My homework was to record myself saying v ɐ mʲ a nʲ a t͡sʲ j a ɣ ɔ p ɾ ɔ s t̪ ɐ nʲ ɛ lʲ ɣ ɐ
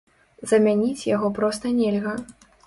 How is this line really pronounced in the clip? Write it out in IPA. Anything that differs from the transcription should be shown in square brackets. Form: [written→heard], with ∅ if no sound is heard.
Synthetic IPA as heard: [v→z] ɐ mʲ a nʲ [a→i] t͡sʲ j a ɣ ɔ p ɾ ɔ s t̪ ɐ nʲ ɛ lʲ ɣ ɐ